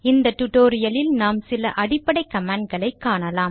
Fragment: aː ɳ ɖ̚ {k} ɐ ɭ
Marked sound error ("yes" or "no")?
yes